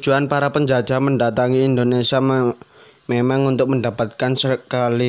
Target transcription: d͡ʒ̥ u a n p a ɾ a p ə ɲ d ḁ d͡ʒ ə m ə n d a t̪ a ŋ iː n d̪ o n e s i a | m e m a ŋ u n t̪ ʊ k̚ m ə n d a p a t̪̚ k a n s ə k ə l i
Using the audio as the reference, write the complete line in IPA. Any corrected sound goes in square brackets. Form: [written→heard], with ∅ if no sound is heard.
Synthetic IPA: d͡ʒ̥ u a n p a ɾ a p ə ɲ [d→d͡ʒ] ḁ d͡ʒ [ə→a] m ə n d a t̪ a ŋ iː n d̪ o n e s i a | m e m a ŋ u n t̪ ʊ k̚ m ə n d a p a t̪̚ k a n s ə k [ə→a] l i